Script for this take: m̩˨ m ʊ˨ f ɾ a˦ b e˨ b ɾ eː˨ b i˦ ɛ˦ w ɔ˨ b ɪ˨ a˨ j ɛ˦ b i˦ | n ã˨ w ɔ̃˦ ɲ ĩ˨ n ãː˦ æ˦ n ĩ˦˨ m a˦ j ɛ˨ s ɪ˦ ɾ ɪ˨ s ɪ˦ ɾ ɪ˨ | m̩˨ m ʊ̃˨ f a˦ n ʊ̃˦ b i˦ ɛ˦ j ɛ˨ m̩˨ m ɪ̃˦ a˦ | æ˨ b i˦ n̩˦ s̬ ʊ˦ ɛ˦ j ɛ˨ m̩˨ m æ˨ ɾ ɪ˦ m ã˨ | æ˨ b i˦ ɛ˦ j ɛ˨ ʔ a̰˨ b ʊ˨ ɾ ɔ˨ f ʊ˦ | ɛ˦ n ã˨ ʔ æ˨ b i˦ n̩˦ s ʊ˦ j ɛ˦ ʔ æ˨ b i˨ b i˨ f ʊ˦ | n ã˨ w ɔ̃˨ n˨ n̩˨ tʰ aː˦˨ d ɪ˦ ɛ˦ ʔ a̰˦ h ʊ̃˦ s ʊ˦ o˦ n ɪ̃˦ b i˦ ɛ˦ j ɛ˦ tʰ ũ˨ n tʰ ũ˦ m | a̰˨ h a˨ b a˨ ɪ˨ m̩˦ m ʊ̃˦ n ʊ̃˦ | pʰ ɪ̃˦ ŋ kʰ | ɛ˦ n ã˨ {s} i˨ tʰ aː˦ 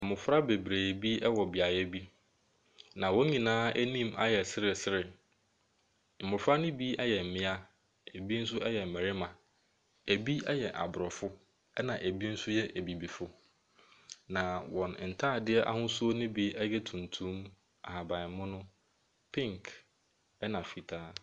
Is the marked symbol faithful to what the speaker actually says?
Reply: no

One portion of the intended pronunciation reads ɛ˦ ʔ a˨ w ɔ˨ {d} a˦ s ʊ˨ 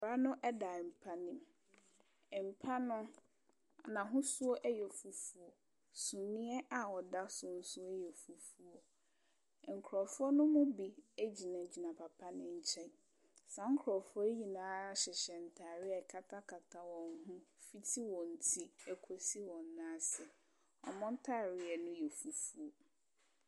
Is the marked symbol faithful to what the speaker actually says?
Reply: yes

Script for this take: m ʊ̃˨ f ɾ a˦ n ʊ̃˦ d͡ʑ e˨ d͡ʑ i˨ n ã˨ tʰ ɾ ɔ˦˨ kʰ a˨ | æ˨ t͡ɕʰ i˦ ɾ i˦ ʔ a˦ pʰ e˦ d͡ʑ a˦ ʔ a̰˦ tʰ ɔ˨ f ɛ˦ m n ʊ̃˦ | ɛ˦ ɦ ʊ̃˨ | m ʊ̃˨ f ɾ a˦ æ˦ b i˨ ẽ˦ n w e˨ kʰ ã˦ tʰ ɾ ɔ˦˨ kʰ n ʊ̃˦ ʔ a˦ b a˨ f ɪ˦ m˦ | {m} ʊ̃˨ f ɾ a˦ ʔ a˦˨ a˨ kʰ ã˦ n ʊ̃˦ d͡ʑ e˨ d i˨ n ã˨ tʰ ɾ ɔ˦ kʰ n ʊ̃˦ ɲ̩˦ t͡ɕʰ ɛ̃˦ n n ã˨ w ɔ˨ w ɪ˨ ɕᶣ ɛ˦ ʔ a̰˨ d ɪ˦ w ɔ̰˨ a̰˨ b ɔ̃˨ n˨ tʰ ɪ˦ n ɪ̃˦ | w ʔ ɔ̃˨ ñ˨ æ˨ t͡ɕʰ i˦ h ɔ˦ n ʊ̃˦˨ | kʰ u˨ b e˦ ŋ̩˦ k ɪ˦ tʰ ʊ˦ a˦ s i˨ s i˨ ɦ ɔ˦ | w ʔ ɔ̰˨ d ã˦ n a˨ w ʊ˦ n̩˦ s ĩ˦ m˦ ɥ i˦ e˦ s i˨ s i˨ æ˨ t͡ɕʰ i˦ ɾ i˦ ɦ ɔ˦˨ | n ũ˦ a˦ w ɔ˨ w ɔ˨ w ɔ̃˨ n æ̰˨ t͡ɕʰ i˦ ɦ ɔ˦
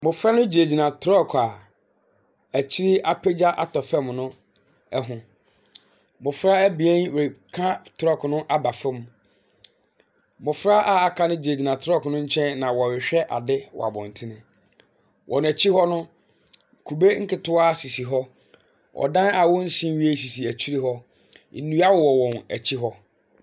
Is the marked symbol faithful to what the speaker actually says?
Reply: yes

